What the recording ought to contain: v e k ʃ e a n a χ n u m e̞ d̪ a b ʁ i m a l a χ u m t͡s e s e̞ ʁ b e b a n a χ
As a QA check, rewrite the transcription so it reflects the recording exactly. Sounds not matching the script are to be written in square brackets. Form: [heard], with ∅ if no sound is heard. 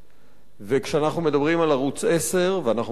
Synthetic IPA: v e k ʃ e a n a χ n u m e̞ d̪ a b ʁ i m a l a [ʁ] u [∅] t͡s e s e̞ ʁ [v] e [∅] a n a χ